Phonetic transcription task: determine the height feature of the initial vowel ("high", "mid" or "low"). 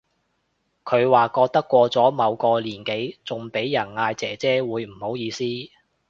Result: mid